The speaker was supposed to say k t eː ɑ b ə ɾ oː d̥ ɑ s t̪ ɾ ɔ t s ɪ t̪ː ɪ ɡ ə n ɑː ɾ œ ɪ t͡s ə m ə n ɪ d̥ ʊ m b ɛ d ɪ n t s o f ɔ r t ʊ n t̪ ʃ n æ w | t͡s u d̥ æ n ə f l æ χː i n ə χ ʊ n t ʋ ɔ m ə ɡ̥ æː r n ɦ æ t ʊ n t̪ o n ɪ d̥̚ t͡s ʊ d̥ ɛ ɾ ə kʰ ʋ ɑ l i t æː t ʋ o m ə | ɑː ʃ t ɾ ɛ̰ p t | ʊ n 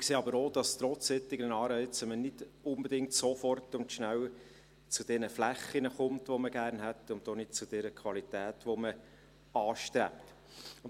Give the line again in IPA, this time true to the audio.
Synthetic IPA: k s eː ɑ b ə ɾ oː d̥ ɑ s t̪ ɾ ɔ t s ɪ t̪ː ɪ ɡ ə n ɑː ɾ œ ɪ t͡s ə m ə n ɪ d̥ ʊ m b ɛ d ɪ ŋ t s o f ɔ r t ʊ n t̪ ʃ n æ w | t͡s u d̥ ɛ n ə f l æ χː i n ə χ ʊ m t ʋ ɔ m ə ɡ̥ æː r n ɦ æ t ʊ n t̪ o n ɪ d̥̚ t͡s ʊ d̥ ɛ ɾ ə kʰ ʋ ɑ l i t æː t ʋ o m ə | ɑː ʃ t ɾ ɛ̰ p t | ʊ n

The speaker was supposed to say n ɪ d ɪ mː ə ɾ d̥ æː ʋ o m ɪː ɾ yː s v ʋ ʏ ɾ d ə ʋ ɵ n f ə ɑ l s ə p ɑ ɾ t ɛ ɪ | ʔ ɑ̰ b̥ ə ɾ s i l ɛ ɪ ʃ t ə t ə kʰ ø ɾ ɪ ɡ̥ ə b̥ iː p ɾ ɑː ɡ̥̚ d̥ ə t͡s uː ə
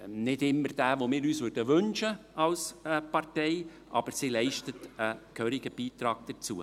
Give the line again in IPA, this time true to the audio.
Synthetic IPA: n ɪ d ɪ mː ə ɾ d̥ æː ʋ o m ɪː ɾ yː s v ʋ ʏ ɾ d ə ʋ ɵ n ʃ ə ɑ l s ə p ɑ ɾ t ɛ ɪ | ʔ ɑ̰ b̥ ə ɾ s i l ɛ ɪ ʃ t ə t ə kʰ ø ɾ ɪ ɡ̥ ə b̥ iː t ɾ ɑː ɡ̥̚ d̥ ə t͡s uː ə

